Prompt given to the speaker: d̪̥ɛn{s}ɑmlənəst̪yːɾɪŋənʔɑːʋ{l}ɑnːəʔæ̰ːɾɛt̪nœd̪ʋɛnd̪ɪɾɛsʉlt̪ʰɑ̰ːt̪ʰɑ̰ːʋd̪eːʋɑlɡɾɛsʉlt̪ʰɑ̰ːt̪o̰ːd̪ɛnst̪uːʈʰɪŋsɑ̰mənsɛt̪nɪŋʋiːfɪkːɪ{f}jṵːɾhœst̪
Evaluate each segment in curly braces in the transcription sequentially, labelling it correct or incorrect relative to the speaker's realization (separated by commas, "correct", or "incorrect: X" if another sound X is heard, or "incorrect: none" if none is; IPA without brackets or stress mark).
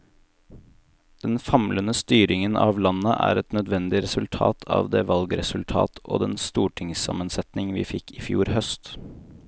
incorrect: f, correct, correct